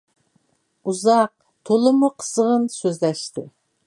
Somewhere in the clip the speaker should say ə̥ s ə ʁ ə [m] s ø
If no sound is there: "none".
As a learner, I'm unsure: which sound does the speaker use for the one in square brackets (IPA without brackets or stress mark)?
n